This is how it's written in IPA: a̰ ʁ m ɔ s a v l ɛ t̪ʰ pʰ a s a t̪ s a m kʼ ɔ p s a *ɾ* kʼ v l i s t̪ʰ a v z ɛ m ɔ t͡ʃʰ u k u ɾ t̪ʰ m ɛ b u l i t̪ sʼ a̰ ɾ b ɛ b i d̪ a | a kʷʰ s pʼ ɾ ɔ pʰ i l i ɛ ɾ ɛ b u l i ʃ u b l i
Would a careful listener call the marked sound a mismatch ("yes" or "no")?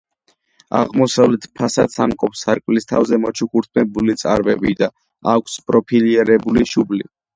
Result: no